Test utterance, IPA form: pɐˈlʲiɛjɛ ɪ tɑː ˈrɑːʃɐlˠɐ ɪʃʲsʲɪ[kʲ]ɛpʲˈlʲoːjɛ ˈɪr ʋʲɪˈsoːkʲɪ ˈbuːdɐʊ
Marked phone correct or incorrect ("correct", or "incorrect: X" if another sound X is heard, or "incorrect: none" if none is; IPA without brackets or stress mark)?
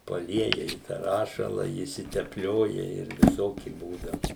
incorrect: tʲ